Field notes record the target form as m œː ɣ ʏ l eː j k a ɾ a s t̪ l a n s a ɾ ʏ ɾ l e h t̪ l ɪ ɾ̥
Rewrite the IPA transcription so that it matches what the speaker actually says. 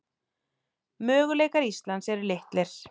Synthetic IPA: m œː ɣ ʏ l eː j k a ɾ i s t̪ l a n s ɛ ɾ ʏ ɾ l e h t̪ l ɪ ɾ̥